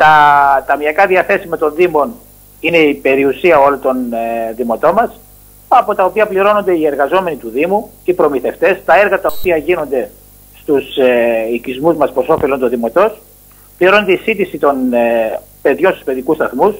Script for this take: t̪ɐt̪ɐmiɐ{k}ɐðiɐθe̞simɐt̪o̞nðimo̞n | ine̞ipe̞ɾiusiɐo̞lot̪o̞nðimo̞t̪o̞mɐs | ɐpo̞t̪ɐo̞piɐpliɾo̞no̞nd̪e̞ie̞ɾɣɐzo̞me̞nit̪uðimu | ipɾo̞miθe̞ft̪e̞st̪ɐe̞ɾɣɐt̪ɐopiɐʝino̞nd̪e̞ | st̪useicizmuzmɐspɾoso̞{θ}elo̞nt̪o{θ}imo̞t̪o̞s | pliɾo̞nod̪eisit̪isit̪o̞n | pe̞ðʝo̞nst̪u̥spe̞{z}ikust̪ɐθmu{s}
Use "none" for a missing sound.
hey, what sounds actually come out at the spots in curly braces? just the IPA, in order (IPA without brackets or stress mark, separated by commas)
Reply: k, f, ð, ð, s